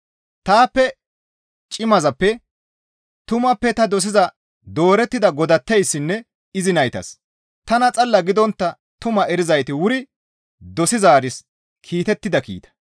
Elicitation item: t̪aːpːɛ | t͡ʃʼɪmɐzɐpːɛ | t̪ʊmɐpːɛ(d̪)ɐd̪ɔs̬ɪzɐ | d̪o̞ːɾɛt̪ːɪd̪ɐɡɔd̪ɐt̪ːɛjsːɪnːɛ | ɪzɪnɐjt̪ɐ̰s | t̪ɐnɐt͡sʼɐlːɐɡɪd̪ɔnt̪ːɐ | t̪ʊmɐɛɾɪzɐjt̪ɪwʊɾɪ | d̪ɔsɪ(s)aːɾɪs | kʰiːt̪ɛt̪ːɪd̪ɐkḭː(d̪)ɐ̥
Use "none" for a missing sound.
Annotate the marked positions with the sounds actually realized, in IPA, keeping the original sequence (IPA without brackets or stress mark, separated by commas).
t̪, z, t̪